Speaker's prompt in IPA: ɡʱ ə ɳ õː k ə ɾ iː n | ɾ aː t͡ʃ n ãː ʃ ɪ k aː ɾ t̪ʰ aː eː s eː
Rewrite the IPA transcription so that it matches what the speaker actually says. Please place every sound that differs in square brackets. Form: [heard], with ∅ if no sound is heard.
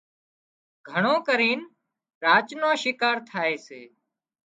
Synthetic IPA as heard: ɡʱ ə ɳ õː k ə ɾ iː n | ɾ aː t͡ʃ n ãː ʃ ɪ k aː ɾ t̪ʰ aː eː s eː